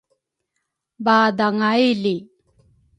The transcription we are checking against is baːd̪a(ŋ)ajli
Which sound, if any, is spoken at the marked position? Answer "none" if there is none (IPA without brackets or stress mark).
ŋ